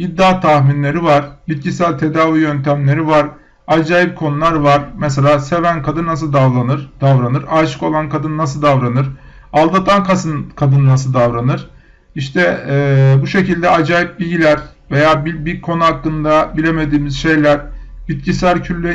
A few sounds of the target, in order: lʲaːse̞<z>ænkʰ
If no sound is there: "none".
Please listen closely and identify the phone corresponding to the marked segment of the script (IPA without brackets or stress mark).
v